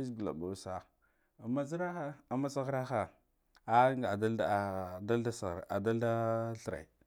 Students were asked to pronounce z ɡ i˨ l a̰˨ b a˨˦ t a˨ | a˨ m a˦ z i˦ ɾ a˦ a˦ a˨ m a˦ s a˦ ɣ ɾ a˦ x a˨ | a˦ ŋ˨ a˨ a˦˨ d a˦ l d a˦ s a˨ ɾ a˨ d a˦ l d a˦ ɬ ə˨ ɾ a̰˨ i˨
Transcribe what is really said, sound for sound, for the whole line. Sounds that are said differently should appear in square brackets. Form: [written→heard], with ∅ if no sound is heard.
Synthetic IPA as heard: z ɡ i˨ l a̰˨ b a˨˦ [t→s] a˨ | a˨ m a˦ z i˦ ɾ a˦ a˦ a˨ m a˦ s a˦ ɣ ɾ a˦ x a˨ | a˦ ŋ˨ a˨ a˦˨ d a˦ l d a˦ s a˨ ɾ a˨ d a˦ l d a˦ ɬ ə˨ ɾ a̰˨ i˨